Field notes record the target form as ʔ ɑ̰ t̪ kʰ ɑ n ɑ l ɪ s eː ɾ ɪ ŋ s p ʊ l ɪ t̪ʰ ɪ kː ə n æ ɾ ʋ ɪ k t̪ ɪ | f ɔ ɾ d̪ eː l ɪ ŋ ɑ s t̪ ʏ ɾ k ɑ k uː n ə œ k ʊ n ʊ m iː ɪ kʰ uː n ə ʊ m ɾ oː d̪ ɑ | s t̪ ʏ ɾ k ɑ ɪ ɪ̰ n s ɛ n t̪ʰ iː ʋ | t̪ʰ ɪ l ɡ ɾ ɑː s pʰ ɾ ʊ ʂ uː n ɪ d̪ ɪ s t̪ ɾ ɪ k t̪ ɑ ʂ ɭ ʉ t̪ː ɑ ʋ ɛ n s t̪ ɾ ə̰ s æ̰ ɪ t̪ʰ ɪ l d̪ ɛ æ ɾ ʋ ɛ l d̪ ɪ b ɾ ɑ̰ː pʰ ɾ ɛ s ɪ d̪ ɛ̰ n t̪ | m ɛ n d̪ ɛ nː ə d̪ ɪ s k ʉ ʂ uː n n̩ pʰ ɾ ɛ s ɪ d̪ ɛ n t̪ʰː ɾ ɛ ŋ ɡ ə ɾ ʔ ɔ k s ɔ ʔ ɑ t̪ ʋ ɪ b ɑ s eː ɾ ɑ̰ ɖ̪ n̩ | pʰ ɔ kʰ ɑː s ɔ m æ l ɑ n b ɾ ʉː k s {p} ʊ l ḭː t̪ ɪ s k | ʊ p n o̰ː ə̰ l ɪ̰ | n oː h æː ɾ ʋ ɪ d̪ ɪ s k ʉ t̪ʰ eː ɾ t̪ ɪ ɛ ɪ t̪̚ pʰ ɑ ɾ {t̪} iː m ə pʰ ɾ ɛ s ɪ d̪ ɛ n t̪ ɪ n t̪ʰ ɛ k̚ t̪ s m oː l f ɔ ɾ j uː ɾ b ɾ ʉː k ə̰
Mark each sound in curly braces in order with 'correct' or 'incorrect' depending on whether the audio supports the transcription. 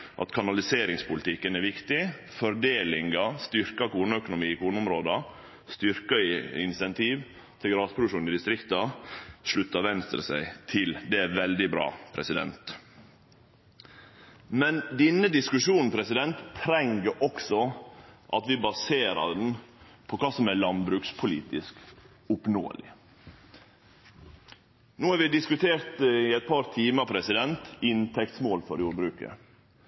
incorrect, incorrect

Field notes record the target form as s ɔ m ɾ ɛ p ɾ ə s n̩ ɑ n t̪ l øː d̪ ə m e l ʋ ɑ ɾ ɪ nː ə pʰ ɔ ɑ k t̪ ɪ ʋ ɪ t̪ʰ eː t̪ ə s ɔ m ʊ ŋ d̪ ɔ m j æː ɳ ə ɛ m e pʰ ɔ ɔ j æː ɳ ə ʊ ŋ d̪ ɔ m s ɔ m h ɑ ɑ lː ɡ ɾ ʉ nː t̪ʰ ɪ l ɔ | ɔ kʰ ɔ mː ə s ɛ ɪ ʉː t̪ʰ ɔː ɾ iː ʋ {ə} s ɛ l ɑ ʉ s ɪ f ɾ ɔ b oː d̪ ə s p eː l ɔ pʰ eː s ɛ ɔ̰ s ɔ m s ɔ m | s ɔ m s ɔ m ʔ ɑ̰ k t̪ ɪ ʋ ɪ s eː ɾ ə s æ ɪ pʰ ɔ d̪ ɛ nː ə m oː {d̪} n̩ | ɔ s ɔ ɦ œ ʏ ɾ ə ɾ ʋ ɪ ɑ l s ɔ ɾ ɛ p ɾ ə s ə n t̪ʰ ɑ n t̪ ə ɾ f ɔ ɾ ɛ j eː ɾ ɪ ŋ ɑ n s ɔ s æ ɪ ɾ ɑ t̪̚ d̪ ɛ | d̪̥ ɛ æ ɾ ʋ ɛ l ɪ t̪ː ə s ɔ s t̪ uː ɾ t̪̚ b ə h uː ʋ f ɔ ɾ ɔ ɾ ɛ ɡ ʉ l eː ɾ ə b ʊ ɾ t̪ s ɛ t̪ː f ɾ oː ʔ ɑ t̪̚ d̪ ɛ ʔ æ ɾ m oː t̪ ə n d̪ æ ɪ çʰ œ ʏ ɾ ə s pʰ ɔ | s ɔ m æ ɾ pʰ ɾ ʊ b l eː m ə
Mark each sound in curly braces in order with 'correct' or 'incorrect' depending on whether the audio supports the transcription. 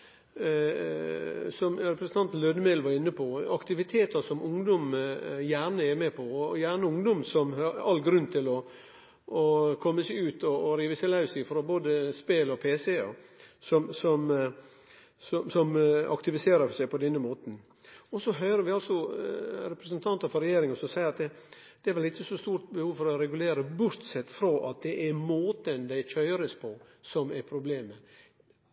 correct, incorrect

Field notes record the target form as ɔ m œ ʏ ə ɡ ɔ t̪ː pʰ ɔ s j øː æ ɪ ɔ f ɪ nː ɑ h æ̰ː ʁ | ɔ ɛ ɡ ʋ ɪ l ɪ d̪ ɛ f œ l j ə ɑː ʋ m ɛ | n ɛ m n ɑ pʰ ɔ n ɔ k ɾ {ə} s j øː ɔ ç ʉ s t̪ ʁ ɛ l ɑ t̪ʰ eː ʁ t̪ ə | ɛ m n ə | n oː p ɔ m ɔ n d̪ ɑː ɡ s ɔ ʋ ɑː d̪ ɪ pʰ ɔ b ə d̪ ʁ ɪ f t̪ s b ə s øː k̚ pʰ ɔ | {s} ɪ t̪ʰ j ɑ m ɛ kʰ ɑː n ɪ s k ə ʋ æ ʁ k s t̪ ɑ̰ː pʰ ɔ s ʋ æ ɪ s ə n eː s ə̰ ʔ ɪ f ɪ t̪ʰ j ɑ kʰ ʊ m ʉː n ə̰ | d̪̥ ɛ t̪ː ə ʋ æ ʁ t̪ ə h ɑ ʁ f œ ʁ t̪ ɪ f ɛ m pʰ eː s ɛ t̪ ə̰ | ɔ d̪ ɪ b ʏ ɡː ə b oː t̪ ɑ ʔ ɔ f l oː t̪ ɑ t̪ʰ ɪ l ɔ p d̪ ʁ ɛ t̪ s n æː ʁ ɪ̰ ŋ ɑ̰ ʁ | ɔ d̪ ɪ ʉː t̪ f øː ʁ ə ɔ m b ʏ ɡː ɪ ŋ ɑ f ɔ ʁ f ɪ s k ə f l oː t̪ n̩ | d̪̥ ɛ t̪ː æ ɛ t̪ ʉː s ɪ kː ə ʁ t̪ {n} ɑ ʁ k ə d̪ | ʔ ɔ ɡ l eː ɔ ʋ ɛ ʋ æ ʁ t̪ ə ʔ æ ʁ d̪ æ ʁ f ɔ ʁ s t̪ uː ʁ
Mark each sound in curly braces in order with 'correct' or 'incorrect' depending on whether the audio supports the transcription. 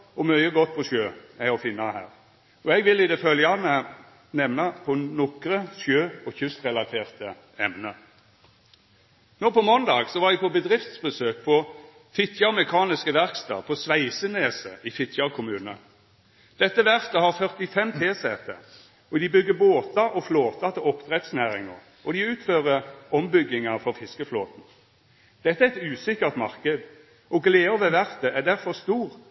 correct, incorrect, incorrect

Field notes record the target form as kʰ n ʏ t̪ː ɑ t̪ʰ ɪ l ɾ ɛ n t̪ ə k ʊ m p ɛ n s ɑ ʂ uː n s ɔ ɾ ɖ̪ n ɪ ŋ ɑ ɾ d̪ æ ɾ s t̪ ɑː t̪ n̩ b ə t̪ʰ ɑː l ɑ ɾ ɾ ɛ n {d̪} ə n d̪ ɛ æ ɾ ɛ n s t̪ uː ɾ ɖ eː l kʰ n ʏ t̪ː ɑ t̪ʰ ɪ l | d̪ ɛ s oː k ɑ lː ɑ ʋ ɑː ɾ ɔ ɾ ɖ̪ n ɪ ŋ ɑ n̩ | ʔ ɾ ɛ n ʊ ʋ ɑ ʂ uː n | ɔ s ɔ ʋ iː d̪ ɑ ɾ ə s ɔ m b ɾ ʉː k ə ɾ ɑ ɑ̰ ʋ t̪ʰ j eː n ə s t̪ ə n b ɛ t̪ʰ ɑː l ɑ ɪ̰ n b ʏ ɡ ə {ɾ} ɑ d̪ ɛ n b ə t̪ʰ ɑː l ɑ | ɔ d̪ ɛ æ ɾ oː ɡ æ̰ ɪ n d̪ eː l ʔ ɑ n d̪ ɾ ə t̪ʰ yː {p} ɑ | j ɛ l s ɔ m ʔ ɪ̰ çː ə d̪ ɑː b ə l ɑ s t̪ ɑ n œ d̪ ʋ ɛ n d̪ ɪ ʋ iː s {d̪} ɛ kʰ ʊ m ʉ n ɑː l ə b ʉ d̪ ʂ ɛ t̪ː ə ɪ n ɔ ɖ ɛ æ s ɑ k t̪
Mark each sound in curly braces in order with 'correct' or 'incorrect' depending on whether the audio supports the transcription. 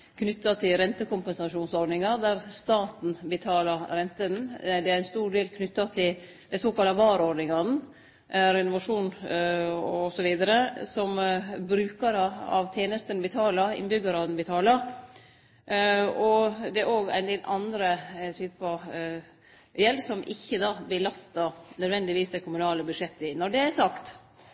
incorrect, correct, correct, correct

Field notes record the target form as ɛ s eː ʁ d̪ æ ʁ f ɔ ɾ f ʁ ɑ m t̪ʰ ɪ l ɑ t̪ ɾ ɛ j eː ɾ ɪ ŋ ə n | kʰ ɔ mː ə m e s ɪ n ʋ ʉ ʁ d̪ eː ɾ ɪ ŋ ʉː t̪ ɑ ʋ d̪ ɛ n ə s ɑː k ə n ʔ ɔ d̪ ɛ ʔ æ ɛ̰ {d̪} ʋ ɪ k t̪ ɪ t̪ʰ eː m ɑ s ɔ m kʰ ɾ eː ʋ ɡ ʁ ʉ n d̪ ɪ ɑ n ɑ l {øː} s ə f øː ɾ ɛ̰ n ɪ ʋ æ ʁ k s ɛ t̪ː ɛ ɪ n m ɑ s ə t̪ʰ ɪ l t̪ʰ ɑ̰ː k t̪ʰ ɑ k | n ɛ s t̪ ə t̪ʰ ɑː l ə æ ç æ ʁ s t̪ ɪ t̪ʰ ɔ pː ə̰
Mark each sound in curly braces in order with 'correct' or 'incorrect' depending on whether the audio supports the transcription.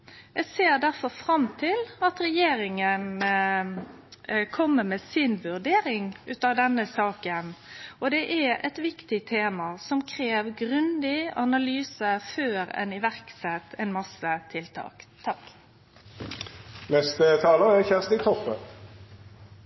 incorrect, incorrect

